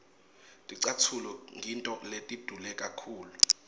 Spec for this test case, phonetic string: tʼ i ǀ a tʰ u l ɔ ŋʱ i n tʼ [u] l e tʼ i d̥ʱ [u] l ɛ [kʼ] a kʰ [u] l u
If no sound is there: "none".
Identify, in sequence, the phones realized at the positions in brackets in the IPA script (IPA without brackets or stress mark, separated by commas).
ɔ, u, kʼ, uː